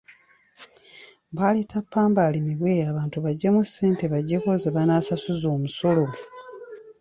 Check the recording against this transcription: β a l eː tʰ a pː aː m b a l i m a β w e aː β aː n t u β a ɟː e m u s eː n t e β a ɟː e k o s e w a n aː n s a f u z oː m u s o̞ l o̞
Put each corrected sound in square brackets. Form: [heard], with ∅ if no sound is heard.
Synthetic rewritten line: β a l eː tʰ a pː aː m b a l i m [i] β w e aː β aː n t u β a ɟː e m u s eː n t e β a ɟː e k o [z] e [β] a n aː [∅] s a [s] u z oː m u s o̞ l o̞